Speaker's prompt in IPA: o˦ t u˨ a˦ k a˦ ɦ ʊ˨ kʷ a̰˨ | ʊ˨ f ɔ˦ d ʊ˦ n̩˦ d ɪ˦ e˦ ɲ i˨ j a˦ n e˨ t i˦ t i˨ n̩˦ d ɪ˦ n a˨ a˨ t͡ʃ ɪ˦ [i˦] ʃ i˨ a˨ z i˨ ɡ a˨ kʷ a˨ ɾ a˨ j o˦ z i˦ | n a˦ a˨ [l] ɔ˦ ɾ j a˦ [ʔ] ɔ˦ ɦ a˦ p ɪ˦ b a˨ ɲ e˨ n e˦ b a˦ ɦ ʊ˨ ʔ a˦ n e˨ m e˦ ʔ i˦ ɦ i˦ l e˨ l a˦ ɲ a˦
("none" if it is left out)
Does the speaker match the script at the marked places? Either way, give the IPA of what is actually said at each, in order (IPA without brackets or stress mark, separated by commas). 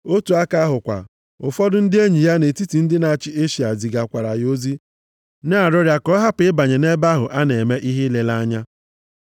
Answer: e˦, ɾ, k